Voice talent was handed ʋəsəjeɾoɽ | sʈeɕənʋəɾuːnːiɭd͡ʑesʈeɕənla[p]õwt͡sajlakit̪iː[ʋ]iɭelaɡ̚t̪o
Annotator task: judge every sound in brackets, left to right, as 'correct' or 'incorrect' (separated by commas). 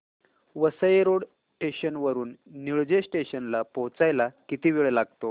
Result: correct, correct